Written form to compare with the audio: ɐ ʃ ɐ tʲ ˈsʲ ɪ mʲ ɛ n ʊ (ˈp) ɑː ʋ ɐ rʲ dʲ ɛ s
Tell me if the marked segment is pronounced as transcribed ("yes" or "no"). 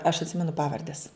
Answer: yes